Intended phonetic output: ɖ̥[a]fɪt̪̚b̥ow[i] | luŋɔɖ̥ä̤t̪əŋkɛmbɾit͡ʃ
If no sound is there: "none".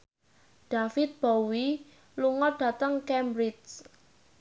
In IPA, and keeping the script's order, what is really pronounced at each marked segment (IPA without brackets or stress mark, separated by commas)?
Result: a, i